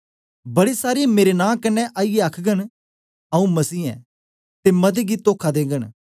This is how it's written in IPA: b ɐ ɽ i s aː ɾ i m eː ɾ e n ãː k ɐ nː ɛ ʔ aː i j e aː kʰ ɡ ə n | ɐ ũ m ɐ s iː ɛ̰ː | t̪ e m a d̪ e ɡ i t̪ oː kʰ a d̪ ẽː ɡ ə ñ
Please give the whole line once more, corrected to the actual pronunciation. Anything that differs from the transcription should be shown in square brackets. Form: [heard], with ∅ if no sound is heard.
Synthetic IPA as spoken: b ɐ ɽ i s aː ɾ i m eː ɾ e n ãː k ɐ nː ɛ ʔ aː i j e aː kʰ ɡ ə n | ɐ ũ m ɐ s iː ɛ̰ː | t̪ e m [ɐ] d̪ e ɡ i t̪ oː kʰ a d̪ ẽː ɡ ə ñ